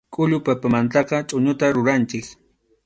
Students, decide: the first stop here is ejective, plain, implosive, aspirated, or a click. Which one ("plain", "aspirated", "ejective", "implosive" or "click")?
ejective